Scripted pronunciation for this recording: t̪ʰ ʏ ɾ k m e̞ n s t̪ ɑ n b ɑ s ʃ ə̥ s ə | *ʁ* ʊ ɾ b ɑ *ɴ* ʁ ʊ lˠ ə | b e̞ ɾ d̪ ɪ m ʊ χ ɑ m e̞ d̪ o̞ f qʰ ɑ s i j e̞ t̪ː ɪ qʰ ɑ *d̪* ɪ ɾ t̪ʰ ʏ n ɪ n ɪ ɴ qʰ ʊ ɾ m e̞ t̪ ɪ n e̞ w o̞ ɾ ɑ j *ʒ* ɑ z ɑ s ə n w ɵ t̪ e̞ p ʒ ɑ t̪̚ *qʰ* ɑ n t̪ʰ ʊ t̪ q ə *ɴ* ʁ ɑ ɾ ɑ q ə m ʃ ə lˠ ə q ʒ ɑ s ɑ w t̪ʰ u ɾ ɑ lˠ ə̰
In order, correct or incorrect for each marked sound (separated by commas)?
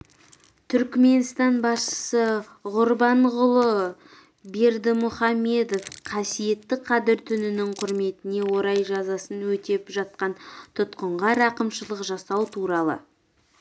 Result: correct, correct, correct, correct, incorrect, correct